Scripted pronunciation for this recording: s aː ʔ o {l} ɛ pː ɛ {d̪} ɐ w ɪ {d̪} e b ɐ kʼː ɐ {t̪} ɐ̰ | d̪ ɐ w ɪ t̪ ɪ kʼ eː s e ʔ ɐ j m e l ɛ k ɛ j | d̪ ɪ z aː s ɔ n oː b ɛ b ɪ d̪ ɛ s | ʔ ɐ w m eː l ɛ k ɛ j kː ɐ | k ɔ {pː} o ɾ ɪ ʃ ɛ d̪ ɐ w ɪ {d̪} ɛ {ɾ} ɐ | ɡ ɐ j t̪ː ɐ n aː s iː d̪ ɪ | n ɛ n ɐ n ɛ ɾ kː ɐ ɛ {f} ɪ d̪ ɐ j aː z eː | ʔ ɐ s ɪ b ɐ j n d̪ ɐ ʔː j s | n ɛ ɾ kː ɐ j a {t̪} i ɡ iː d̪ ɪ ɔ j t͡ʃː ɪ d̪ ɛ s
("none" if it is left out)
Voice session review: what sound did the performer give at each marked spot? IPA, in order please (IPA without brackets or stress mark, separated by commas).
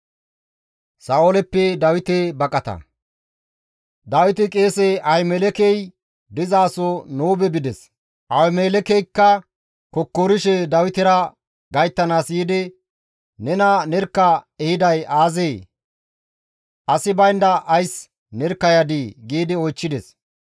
l, d̪, t̪, t̪, kː, t̪, ɾ, h, d̪